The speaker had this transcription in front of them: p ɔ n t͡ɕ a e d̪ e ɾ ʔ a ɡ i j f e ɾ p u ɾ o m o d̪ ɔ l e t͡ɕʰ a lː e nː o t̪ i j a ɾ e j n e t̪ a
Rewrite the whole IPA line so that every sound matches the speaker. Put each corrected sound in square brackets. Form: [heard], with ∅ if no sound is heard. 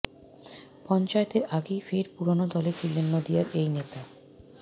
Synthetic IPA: p ɔ n t͡ɕ a e [t̪] e ɾ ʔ a ɡ [e] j f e ɾ p u ɾ o [n] o d̪ ɔ l e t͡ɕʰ [i] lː e nː o [d̪] i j a ɾ e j n e t̪ a